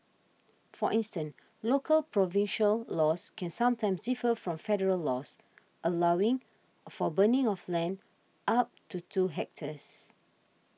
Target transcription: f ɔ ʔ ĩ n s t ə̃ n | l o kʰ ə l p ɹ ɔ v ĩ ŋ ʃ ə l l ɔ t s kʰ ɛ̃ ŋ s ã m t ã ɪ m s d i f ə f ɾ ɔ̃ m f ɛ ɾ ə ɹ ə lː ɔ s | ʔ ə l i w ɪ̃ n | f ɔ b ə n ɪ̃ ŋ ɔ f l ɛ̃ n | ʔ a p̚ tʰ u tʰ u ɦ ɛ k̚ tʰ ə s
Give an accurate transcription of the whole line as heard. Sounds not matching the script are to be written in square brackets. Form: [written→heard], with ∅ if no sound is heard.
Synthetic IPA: f ɔ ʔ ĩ n s t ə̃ n | l o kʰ ə l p ɹ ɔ v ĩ [ŋ→n] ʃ ə l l ɔ [t→∅] s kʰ ɛ̃ [ŋ→n] s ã m t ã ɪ m s d i f ə f [ɾ→ɹ] ɔ̃ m f ɛ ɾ ə ɹ ə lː ɔ s | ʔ ə l [i→a] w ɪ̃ [n→ŋ] | f ɔ b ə n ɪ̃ ŋ ɔ f l ɛ̃ n | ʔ a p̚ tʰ u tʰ u ɦ ɛ k̚ tʰ ə s